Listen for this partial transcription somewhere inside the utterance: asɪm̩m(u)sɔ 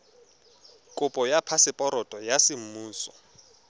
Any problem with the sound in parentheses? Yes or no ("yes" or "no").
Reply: yes